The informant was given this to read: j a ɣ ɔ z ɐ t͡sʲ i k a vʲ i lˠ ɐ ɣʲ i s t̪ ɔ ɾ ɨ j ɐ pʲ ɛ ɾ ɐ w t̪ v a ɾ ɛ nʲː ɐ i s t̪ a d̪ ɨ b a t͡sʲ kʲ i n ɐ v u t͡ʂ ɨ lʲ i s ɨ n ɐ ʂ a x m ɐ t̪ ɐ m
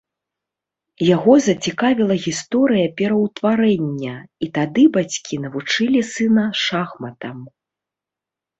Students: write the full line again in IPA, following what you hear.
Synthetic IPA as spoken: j a ɣ ɔ z ɐ t͡sʲ i k a vʲ i lˠ ɐ ɣʲ i s t̪ ɔ ɾ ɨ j ɐ pʲ ɛ ɾ ɐ w t̪ v a ɾ ɛ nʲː ɐ i t̪ a d̪ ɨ b a t͡sʲ kʲ i n ɐ v u t͡ʂ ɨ lʲ i s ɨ n ɐ ʂ a x m ɐ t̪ ɐ m